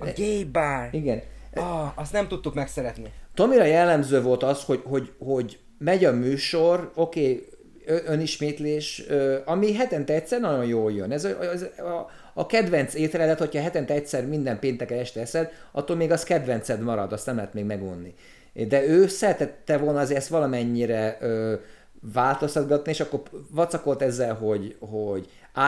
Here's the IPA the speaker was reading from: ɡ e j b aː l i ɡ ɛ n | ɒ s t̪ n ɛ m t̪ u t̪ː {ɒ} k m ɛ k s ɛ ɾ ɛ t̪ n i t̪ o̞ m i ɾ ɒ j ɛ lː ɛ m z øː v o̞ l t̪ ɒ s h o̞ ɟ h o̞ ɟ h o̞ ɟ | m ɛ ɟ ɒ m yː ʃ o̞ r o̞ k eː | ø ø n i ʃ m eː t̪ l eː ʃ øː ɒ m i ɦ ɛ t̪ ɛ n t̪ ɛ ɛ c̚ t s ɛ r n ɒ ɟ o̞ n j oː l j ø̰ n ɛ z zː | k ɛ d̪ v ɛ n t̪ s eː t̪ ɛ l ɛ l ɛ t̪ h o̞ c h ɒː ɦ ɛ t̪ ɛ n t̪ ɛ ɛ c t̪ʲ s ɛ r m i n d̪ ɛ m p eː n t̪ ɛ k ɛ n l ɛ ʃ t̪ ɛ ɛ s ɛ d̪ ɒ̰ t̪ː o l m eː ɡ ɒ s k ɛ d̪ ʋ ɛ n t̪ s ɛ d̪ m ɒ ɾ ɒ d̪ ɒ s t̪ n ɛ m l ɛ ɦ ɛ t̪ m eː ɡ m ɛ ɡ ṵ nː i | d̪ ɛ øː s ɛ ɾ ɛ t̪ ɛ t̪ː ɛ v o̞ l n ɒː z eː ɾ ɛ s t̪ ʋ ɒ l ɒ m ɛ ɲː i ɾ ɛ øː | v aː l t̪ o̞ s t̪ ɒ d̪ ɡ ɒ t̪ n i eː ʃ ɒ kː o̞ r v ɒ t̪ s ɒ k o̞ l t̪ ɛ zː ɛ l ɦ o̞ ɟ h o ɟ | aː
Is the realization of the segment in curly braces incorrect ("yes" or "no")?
yes